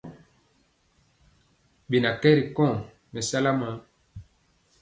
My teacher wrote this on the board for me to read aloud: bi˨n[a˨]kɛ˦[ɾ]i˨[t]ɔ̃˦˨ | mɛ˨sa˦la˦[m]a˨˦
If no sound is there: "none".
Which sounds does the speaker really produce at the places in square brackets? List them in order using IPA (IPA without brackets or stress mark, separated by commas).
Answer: a˨, ɾ, k, m